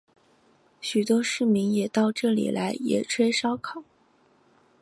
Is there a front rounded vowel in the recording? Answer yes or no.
yes